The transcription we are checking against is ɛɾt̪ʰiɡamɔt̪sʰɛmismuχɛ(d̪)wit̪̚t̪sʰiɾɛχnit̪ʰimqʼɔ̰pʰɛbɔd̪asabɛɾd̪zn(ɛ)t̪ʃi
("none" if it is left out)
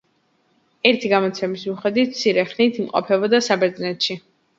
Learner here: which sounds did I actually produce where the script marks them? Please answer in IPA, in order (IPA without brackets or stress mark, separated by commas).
d̪, ɛ